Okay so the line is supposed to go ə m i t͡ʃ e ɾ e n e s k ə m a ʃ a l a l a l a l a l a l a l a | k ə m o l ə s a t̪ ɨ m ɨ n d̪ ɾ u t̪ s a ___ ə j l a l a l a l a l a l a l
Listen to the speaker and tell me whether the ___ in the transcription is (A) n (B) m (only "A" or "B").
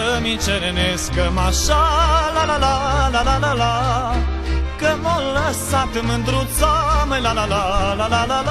B